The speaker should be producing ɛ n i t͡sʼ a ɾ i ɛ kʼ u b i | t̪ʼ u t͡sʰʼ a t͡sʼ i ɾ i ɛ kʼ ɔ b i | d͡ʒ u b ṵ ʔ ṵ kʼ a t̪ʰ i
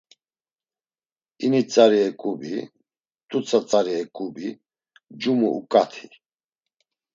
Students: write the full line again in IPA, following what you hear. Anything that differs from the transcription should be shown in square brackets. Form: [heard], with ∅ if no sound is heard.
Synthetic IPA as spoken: [i] n i t͡sʼ a ɾ i ɛ kʼ u b i | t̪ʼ u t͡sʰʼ a t͡sʼ [a] ɾ i ɛ kʼ [u] b i | d͡ʒ u [m] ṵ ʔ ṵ kʼ a t̪ʰ i